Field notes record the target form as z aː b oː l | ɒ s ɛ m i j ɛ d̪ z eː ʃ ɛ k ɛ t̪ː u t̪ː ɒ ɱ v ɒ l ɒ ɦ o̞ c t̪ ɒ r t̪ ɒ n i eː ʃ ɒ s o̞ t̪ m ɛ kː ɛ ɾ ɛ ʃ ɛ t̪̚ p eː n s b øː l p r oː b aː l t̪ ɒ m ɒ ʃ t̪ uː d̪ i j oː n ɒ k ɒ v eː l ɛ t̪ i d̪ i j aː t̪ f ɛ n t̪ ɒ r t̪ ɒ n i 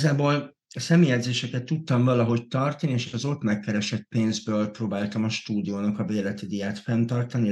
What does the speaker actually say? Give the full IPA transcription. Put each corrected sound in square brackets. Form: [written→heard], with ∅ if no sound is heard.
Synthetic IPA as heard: z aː b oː l | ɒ s ɛ m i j ɛ d̪ z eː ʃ ɛ k ɛ t̪ː u t̪ː ɒ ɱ v ɒ l ɒ ɦ o̞ c t̪ ɒ r t̪ ɒ n i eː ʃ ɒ [s→z] o̞ t̪ m ɛ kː ɛ ɾ ɛ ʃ ɛ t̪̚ p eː n [s→z] b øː l p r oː b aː l t̪ ɒ m ɒ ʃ t̪ uː d̪ i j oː n ɒ k ɒ v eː l ɛ t̪ i d̪ i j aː t̪ f ɛ n t̪ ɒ r t̪ ɒ n i